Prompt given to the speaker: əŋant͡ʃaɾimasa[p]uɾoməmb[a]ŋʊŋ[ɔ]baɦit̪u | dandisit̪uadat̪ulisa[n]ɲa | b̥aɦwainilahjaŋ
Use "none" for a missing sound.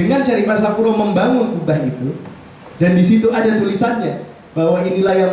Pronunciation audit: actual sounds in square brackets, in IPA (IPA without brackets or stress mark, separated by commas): p, a, u, n